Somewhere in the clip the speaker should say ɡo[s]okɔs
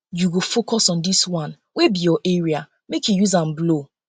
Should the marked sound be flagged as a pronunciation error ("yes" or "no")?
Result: yes